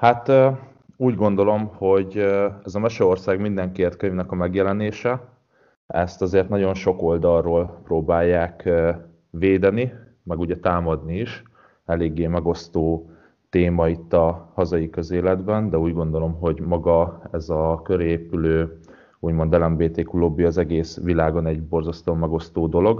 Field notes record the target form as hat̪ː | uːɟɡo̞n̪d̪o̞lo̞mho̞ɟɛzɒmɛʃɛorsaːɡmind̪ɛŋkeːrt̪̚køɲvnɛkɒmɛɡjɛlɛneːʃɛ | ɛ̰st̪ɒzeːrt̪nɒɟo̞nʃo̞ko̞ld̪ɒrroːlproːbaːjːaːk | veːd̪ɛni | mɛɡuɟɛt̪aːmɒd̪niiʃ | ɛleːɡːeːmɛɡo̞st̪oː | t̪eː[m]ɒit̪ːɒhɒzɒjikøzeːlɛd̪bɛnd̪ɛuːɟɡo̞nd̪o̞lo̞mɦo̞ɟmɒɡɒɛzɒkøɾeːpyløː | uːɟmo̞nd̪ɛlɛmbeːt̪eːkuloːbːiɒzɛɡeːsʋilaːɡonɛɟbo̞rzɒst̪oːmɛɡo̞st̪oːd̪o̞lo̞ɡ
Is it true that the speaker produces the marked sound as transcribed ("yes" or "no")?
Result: yes